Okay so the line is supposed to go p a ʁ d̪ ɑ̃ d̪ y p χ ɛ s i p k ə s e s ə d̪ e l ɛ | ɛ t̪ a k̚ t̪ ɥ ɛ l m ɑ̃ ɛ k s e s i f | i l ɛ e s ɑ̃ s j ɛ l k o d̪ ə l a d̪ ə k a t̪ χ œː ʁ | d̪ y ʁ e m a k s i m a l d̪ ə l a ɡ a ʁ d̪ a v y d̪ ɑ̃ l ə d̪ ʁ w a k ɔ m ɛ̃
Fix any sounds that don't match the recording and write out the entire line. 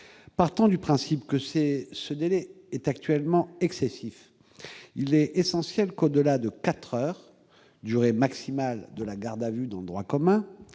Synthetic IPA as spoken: p a ʁ t̪ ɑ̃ d̪ y p χ ɛ̃ s i p k ə s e s ə d̪ e l ɛ | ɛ t̪ a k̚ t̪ ɥ ɛ l m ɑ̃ ɛ k s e s i f | i l ɛ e s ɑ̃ s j ɛ l k o d̪ ə l a d̪ ə k a t̪ χ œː ʁ | d̪ y ʁ e m a k s i m a l d̪ ə l a ɡ a ʁ d̪ a v y d̪ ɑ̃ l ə d̪ ʁ w a k ɔ m ɛ̃